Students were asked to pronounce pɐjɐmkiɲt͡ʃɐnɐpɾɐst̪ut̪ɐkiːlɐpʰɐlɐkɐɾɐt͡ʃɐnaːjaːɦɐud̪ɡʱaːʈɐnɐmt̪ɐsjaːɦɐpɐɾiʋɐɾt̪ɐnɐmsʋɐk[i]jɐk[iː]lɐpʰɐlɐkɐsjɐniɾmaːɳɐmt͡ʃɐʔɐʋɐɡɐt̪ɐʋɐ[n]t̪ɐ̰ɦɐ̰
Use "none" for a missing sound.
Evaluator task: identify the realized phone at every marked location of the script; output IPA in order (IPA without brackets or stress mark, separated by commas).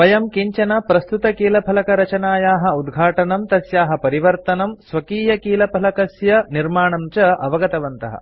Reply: iː, iː, n